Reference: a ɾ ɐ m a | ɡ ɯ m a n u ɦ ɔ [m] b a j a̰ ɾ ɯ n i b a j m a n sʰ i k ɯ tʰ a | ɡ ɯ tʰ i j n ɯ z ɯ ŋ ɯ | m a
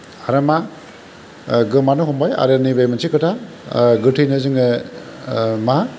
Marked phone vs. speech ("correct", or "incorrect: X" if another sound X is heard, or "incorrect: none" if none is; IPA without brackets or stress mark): correct